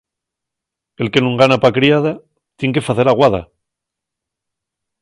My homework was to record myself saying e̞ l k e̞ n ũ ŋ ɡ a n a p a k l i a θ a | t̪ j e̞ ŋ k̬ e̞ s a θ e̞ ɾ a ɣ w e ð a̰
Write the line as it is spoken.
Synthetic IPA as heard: e̞ l k e̞ n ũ ŋ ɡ a n a p a k ɾ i a ð a | t̪ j e̞ ŋ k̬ e̞ f a θ e̞ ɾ a ɣ w a ð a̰